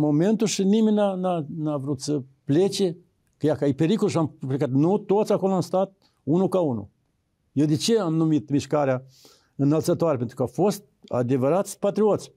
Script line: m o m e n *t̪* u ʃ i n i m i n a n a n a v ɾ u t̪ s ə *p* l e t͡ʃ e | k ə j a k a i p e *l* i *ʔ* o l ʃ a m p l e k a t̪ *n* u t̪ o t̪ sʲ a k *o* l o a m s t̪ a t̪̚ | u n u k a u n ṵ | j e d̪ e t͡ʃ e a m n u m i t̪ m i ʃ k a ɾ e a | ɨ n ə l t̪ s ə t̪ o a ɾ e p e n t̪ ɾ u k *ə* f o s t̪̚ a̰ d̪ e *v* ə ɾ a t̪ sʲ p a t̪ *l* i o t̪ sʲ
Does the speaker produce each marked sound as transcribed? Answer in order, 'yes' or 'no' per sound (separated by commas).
yes, yes, no, no, yes, yes, no, yes, no